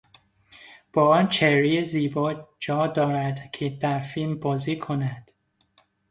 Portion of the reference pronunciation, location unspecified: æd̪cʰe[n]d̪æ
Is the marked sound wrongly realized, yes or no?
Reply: yes